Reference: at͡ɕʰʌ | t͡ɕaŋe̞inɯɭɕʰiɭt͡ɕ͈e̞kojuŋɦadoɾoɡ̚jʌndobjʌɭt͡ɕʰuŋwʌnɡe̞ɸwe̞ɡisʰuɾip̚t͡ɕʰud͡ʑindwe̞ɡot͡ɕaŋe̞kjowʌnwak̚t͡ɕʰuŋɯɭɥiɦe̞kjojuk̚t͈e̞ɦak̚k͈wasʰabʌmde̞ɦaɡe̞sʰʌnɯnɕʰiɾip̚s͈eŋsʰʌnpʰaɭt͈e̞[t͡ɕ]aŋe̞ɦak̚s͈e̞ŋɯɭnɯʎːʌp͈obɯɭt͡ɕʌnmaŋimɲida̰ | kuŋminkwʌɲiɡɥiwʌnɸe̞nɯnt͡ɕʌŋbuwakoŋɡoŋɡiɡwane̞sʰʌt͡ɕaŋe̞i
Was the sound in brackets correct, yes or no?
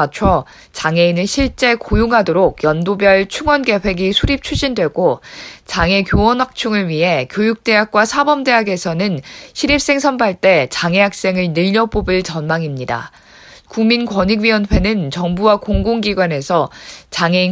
yes